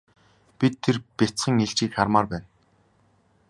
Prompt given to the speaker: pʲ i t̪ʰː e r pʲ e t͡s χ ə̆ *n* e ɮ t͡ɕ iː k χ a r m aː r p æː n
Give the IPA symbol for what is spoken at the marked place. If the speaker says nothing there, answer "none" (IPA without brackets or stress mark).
ŋ